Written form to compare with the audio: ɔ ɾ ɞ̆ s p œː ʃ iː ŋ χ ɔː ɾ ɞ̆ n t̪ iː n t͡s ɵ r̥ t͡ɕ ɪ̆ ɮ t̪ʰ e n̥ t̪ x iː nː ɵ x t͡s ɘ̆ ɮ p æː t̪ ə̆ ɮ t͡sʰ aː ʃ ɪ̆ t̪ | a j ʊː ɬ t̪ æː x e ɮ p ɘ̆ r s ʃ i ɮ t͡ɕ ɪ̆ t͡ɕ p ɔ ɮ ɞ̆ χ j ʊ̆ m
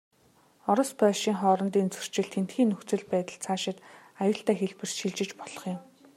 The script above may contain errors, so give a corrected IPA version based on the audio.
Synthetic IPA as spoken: ɔ ɾ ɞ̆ s p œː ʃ iː ŋ χ ɔː ɾ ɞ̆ n t̪ iː n t͡s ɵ r̥ t͡ɕ ɪ̆ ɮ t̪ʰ e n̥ t̪ x iː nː ɵ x t͡s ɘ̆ ɮ p æː t̪ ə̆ ɮ t͡sʰ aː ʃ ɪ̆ t̪ | a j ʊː ɬ t̪ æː x e ɮ p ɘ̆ r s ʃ i ɮ t͡ɕ ɪ̆ t͡ɕ p ɔ ɮ ɞ̆ χ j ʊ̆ m